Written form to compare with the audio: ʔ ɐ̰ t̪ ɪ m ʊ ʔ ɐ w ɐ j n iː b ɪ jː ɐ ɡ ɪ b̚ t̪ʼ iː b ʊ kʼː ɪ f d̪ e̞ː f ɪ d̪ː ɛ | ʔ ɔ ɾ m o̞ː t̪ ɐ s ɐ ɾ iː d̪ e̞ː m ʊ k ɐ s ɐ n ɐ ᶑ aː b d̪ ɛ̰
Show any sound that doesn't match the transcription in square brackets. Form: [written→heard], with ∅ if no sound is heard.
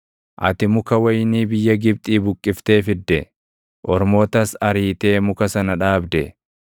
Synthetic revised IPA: ʔ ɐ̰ t̪ ɪ m ʊ [ʔ→k] ɐ w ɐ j n iː b ɪ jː ɐ ɡ ɪ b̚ t̪ʼ iː b ʊ kʼː ɪ f [d̪→t̪] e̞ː f ɪ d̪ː ɛ | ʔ ɔ ɾ m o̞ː t̪ ɐ s ɐ ɾ iː [d̪→t̪] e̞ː m ʊ k ɐ s ɐ n ɐ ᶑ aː b d̪ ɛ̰